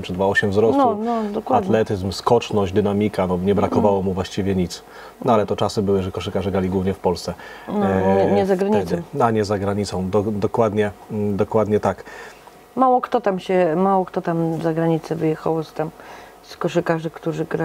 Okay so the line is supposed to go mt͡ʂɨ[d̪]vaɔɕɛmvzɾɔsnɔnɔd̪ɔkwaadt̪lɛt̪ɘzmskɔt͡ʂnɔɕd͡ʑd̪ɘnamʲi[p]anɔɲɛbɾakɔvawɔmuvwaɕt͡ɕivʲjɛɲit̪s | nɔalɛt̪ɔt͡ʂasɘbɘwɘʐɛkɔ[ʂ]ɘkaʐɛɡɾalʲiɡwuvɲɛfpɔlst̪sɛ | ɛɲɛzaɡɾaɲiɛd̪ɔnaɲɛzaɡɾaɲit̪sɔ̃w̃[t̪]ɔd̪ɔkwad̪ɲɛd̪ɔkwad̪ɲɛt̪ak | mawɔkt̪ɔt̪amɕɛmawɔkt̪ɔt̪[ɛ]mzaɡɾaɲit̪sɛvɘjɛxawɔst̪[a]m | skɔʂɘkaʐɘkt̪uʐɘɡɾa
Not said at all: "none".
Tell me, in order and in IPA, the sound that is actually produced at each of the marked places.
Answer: d̪, k, ʂ, d̪, a, a

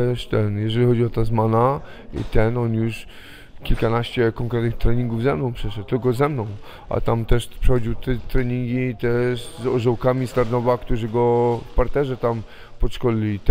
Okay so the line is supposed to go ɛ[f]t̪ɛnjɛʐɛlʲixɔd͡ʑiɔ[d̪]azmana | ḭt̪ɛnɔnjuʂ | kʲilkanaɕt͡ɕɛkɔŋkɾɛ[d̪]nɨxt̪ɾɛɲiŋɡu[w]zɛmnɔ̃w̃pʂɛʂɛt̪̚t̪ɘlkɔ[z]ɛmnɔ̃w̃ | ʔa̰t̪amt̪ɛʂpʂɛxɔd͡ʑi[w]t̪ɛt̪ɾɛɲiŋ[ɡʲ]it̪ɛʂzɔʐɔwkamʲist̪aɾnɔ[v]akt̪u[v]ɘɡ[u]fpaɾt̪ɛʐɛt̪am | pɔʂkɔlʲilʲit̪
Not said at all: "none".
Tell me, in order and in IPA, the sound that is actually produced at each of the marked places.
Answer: ʂ, t̪, t̪, v, z, w, ɡʲ, v, ʐ, ɔ

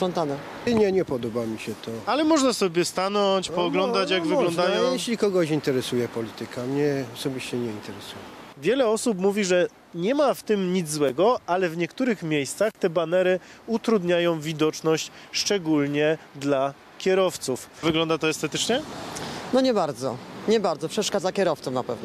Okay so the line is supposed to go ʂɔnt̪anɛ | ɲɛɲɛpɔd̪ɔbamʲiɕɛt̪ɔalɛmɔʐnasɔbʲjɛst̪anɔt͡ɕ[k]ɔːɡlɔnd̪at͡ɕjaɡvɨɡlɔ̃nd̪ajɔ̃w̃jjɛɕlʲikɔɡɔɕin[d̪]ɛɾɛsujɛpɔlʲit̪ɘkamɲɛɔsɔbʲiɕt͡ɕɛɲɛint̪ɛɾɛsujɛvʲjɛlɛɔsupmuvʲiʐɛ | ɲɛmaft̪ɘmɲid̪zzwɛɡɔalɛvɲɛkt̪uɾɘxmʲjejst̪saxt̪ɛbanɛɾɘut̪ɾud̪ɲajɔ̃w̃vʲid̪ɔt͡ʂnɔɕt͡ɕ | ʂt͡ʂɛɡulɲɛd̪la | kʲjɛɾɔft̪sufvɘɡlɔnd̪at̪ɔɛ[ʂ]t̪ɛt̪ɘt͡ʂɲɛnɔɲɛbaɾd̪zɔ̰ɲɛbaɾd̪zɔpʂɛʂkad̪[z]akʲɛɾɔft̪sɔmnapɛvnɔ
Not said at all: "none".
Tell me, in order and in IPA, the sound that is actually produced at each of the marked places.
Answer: p, t̪, s, z

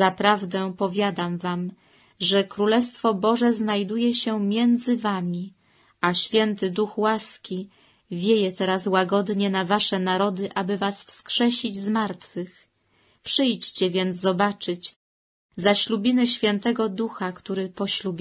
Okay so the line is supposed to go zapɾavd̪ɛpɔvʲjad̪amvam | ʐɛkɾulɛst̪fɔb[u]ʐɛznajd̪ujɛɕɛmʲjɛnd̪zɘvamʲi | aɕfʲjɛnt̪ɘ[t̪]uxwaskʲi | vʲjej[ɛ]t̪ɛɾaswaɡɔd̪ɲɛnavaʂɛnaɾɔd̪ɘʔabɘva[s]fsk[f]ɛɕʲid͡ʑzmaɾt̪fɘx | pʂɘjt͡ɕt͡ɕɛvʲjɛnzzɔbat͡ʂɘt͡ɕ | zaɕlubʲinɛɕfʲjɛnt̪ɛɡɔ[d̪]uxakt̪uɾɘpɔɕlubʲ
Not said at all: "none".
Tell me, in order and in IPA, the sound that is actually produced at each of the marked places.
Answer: ɔ, d̪, ɛ, s, ʂ, d̪

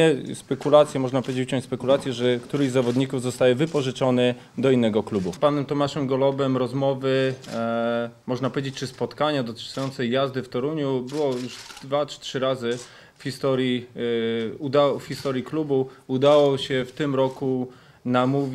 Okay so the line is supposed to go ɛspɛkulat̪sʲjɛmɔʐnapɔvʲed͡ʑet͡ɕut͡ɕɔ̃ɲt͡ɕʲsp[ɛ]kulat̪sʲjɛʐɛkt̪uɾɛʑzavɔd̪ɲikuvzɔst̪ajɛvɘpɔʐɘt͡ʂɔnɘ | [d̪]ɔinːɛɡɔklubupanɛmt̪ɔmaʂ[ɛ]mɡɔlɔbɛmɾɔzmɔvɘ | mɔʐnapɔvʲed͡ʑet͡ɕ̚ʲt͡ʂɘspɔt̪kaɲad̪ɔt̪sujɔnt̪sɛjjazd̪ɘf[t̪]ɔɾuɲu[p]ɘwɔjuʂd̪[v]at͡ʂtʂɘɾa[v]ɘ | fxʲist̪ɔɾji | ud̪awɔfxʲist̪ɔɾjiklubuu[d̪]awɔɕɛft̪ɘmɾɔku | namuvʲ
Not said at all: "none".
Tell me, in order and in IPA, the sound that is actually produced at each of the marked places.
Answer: ɛ, d̪, ɛ, t̪, b, v, z, d̪

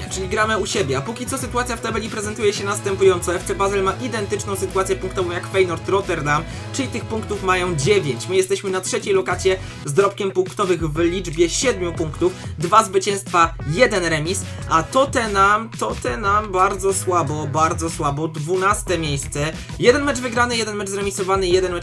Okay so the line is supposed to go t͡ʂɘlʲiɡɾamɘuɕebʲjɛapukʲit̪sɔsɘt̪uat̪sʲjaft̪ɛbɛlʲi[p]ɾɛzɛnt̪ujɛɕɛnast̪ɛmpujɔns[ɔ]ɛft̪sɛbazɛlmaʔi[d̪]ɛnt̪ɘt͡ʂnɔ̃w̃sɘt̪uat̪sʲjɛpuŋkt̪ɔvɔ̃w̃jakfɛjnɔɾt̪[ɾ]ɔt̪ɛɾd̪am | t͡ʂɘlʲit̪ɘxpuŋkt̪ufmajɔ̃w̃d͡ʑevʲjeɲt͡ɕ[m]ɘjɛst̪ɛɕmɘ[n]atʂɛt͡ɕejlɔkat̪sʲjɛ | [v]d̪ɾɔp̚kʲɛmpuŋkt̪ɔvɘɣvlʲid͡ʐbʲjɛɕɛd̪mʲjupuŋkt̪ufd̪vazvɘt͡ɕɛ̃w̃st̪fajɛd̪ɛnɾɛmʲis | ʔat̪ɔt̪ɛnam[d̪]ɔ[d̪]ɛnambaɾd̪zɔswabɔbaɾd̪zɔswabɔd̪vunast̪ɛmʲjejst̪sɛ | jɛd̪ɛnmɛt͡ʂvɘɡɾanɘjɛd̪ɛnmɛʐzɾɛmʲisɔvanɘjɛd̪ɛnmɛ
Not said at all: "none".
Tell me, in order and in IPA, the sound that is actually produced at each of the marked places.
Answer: p, ɔ, d̪, ɾ, m, n, z, t̪, t̪

